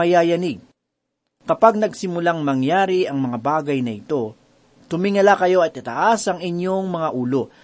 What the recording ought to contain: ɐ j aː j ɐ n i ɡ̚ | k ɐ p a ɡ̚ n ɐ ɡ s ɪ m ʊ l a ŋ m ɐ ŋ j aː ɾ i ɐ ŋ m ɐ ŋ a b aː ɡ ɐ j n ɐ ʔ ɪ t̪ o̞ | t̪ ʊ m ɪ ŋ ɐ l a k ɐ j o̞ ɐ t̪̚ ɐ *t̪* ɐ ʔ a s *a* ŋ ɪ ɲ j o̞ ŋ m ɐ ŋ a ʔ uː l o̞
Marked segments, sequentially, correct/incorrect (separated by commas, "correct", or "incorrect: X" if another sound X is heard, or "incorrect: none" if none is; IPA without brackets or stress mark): correct, incorrect: ɐ